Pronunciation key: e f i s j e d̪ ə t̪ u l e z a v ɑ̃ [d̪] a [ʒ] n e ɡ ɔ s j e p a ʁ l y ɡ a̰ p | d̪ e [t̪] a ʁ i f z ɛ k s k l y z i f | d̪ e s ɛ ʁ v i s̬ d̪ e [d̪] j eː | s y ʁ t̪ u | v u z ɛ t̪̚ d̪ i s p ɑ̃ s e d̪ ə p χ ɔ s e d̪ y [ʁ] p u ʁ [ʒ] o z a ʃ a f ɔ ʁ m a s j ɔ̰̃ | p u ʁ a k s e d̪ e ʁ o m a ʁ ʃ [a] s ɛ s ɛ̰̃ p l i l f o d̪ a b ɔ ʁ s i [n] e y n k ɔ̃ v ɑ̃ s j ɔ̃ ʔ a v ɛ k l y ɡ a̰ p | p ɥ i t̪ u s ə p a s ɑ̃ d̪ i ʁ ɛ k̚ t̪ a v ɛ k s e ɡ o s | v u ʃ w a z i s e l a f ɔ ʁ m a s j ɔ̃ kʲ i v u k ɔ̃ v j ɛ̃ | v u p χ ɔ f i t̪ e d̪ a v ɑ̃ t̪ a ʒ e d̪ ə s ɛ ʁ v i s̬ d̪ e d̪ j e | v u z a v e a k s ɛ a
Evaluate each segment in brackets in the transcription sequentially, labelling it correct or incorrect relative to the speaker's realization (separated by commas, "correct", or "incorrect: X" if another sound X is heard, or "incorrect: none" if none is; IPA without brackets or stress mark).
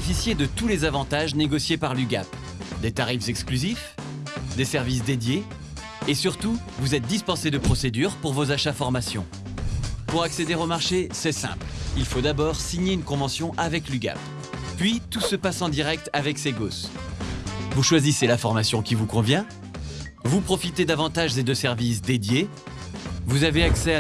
incorrect: t̪, correct, correct, correct, correct, incorrect: v, incorrect: e, incorrect: ɲ